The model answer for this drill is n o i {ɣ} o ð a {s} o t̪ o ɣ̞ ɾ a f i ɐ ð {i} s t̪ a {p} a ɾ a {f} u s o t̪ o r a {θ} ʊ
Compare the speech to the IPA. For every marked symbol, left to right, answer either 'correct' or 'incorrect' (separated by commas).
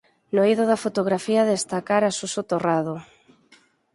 incorrect, incorrect, incorrect, incorrect, incorrect, incorrect